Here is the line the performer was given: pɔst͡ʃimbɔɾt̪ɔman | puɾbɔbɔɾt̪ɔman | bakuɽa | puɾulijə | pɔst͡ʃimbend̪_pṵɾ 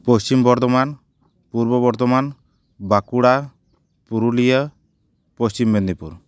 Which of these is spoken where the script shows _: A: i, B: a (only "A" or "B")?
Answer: A